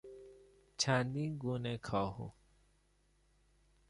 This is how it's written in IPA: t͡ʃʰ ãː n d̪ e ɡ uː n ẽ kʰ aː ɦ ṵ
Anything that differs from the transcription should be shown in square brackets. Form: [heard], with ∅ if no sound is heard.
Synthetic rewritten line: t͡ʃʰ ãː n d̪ [i] ɡ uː n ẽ kʰ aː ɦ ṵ

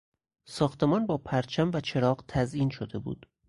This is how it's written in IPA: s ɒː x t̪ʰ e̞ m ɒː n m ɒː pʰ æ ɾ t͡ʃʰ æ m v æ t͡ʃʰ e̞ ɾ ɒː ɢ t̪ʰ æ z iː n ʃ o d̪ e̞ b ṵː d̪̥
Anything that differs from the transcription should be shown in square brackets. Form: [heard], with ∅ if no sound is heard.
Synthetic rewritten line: s ɒː x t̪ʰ e̞ m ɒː n [b] ɒː pʰ æ ɾ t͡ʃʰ æ m v æ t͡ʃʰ e̞ ɾ ɒː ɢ t̪ʰ æ z iː n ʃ o d̪ e̞ b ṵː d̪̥

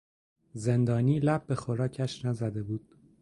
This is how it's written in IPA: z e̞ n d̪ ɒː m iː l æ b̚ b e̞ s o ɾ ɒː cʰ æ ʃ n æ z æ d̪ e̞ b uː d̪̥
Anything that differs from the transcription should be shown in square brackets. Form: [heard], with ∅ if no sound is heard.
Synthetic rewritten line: z e̞ n d̪ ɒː [n] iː l æ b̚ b e̞ [x] o ɾ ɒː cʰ æ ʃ n æ z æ d̪ e̞ b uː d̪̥

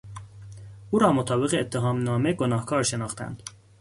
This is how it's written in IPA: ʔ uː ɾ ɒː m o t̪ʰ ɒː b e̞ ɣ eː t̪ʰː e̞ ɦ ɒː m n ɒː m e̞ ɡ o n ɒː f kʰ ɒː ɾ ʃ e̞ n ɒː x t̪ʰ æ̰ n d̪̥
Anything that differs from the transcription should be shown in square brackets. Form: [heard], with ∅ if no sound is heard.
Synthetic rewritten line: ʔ uː ɾ ɒː m o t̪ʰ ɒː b e̞ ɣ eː t̪ʰː e̞ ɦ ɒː m n ɒː m e̞ ɡ o n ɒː [h] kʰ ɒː ɾ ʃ e̞ n ɒː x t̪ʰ æ̰ n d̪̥

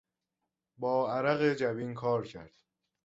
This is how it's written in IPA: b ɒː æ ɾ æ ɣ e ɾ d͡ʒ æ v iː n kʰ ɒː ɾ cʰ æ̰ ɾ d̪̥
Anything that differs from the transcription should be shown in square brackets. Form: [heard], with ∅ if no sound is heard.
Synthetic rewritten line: b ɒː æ ɾ æ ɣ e [∅] d͡ʒ æ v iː n kʰ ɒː ɾ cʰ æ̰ ɾ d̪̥

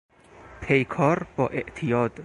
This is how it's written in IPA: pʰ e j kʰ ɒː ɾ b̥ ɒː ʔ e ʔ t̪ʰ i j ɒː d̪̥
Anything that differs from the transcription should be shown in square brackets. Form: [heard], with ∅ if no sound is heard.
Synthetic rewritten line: pʰ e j kʰ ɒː ɾ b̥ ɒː ʔ e ʔ t̪ʰ i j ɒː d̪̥

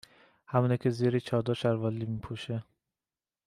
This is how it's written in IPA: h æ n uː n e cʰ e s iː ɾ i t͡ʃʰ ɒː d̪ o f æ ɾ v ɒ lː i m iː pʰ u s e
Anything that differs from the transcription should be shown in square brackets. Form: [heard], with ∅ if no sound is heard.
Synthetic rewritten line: h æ [m] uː n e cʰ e [z] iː ɾ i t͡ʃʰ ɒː d̪ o [ʃ] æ ɾ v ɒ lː i m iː pʰ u [ʃ] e

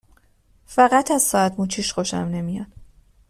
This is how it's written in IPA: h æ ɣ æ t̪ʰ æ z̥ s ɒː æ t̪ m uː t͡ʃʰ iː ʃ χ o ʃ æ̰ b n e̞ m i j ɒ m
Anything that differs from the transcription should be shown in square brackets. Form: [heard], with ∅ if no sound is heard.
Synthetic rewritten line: [f] æ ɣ æ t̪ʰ æ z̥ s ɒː æ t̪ m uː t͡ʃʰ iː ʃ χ o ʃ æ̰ [m] n e̞ m i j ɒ [n]

